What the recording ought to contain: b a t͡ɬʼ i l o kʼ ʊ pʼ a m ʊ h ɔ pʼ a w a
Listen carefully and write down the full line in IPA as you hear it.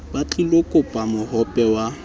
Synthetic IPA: b a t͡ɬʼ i l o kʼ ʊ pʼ a m ʊ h ɔ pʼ ɛ w a